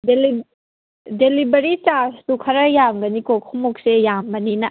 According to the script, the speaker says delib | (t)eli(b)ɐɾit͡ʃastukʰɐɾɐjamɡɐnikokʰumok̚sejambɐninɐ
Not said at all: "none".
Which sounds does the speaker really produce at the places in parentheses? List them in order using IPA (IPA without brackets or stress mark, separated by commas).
d, b